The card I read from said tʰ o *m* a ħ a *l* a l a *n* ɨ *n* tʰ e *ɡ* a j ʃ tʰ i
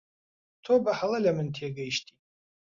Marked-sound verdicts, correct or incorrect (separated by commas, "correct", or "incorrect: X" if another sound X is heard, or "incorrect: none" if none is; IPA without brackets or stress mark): incorrect: b, correct, incorrect: m, correct, correct